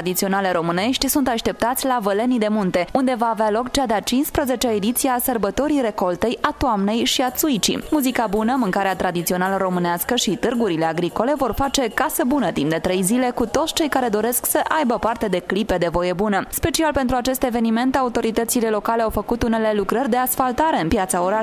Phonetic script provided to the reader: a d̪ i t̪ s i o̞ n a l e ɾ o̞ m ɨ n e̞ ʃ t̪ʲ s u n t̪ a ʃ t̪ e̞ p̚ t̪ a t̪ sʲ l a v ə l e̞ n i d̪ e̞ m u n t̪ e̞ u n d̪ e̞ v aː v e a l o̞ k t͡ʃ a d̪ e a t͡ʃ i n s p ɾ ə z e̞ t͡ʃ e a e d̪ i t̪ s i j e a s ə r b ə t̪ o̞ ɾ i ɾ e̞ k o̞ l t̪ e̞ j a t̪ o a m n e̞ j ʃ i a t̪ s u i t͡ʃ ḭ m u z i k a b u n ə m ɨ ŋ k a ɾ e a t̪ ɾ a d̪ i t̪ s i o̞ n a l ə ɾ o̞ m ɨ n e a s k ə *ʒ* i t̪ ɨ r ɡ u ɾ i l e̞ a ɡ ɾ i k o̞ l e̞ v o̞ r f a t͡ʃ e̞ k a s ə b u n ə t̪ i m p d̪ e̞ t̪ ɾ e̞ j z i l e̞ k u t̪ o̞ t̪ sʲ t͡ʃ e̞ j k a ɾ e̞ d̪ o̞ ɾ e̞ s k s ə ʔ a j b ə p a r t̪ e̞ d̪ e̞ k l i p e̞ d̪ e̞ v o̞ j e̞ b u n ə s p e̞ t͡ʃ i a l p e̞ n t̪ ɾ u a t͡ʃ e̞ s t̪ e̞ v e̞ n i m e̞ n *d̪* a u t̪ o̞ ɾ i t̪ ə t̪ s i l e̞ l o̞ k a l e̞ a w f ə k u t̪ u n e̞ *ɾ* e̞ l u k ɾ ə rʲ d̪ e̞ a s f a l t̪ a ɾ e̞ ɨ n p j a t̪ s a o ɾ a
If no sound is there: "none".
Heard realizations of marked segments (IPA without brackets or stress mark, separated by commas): ʃ, t̪, l